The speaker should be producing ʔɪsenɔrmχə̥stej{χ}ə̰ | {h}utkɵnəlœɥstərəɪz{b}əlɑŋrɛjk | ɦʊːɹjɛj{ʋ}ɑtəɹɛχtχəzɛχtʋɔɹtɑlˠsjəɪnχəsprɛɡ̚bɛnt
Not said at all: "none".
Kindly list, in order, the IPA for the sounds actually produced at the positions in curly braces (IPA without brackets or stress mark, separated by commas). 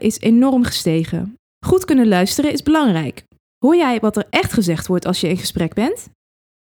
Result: χ, χ, b, ʋ